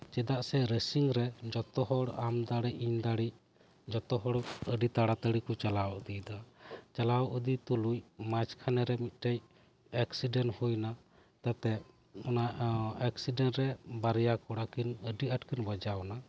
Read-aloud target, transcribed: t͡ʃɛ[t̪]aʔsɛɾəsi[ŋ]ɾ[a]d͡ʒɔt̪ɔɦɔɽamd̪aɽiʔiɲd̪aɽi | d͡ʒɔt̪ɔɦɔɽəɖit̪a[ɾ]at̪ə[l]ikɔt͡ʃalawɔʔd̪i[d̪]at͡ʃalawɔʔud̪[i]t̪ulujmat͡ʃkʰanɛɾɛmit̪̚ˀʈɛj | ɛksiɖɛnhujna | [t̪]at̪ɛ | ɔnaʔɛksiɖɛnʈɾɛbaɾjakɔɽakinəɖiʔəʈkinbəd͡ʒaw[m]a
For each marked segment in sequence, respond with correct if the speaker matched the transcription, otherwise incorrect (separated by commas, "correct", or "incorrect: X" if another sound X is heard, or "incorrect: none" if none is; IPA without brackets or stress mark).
incorrect: d̪, correct, incorrect: ɛ, incorrect: ɽ, incorrect: ɽ, correct, correct, correct, incorrect: n